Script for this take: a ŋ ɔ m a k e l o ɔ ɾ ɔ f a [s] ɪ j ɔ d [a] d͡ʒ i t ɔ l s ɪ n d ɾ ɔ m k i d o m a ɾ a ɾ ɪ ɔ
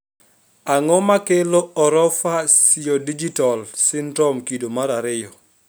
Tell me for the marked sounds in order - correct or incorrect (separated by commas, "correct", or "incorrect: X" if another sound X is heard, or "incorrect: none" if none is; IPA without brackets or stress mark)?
correct, incorrect: i